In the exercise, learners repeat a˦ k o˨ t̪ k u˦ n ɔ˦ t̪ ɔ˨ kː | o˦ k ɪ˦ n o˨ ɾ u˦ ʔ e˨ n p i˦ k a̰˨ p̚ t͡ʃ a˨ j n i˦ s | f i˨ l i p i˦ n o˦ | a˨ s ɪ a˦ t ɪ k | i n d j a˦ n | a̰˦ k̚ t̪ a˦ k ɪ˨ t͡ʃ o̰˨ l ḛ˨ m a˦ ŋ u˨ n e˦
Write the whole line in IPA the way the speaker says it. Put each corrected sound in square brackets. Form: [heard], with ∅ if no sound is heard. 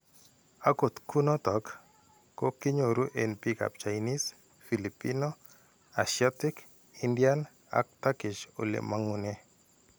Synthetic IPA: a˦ k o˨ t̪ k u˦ n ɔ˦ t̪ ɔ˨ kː | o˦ k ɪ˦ [ɲ] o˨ ɾ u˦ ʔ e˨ n p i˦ k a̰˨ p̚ t͡ʃ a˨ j n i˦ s | f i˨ l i p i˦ n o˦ | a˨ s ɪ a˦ t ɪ k | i n d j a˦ n | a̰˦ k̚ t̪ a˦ k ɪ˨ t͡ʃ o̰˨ l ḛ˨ m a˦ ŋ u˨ n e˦